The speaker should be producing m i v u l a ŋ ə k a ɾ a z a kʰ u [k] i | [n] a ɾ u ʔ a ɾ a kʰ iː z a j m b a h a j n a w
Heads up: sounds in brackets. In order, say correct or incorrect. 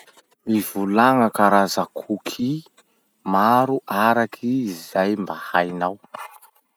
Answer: incorrect, incorrect

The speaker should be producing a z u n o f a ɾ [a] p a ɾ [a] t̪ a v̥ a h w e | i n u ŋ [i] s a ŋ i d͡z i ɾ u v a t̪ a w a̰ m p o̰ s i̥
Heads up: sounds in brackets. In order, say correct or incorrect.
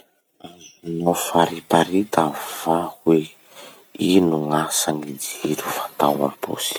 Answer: incorrect, incorrect, incorrect

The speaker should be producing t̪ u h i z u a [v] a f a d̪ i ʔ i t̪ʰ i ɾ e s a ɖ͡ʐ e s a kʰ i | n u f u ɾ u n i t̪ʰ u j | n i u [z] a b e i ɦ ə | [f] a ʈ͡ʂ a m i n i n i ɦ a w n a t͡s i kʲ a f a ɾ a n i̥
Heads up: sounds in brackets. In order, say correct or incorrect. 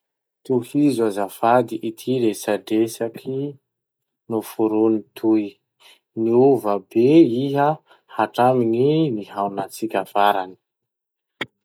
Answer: incorrect, incorrect, incorrect

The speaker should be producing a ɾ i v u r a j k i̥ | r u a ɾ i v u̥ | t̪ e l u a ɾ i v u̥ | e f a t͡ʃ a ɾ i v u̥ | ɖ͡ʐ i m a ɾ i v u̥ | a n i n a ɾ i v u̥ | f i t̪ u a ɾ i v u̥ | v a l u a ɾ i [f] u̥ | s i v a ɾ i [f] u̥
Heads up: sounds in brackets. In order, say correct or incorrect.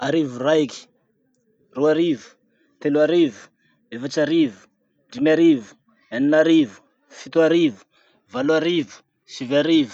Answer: incorrect, incorrect

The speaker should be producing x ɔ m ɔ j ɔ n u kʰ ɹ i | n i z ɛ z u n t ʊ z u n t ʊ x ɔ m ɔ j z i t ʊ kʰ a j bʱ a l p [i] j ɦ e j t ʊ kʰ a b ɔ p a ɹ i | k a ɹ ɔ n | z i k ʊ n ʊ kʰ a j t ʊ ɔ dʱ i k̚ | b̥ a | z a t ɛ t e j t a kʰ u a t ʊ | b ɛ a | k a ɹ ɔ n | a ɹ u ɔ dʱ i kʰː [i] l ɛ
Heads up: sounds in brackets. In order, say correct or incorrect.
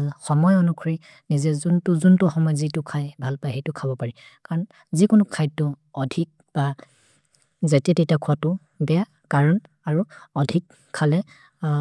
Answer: incorrect, incorrect

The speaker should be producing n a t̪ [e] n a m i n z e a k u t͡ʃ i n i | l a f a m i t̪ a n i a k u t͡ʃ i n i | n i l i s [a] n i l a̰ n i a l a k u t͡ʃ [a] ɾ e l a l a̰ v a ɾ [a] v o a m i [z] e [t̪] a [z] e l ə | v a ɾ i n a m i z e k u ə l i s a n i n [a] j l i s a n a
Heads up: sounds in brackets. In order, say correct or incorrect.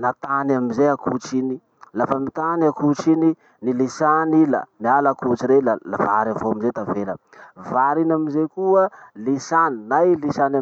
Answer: incorrect, correct, incorrect, correct, correct, correct, incorrect, correct

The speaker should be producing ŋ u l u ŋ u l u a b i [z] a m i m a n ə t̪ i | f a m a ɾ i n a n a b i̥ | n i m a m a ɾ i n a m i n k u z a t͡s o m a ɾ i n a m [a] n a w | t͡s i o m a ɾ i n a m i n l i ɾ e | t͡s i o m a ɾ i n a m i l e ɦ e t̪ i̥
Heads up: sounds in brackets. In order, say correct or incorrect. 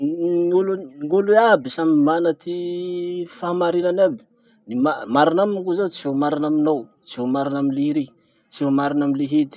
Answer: incorrect, incorrect

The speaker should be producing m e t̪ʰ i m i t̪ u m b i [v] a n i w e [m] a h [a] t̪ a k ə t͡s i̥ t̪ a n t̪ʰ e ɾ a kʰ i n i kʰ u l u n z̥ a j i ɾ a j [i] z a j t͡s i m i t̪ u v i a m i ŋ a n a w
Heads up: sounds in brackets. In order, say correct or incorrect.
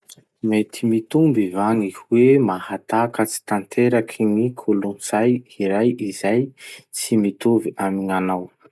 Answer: correct, correct, correct, correct

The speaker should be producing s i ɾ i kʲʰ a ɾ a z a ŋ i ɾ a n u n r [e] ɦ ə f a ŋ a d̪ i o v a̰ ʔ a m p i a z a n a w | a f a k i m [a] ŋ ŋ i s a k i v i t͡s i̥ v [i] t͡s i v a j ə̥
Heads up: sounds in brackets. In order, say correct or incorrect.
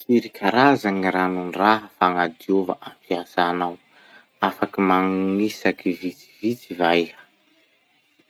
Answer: incorrect, correct, correct

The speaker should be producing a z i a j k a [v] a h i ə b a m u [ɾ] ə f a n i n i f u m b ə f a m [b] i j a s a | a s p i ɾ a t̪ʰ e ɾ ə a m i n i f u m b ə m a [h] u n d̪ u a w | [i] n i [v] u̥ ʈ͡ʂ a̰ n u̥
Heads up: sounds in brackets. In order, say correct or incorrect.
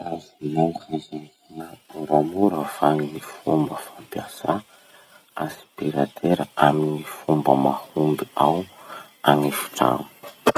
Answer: incorrect, correct, incorrect, correct, incorrect, incorrect

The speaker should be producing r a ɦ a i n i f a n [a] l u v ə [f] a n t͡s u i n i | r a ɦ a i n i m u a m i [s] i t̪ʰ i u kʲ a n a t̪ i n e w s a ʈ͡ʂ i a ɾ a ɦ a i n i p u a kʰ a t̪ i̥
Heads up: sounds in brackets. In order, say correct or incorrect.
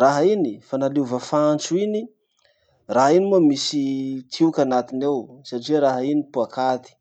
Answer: correct, correct, correct

